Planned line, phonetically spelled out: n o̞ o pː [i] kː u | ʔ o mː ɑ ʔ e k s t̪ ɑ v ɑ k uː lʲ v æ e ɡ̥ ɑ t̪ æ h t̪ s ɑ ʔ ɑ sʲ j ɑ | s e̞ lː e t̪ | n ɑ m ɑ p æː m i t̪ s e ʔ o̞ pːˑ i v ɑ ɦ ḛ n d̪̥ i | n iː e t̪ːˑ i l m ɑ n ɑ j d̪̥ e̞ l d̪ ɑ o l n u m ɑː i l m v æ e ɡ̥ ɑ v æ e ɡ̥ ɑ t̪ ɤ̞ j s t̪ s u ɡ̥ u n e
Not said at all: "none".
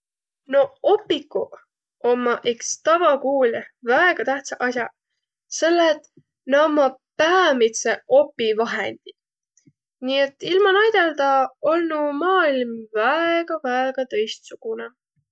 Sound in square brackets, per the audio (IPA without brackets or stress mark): i